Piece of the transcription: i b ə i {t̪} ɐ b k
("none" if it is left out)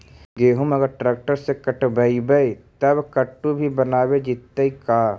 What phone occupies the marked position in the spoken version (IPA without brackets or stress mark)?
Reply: t̪